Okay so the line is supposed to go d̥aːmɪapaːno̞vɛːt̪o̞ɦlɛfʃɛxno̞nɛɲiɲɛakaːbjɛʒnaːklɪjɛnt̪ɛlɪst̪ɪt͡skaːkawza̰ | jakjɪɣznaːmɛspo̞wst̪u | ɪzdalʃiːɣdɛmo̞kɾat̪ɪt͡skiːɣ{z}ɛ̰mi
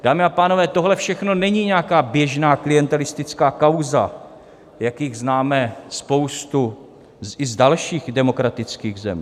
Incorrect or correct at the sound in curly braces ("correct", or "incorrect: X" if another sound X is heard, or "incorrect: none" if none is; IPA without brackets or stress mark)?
correct